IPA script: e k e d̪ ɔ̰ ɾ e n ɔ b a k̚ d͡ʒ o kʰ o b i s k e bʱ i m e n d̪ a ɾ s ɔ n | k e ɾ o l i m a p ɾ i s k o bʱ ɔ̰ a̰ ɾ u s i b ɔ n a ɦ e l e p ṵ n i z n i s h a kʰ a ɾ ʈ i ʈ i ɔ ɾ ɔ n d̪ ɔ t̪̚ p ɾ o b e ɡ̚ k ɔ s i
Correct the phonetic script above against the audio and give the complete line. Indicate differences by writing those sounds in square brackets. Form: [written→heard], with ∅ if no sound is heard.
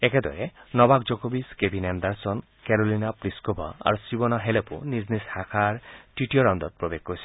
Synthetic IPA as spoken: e k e d̪ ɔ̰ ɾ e n ɔ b a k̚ d͡ʒ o [kʰ→k] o b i s k e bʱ i [m→n] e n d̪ a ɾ s ɔ n | k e ɾ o l i [m→n] a p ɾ i s k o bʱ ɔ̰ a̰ ɾ u s i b ɔ n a ɦ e l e p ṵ n i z n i s h a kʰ a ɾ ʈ i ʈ i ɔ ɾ ɔ n d̪ ɔ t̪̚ p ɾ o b e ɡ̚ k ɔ s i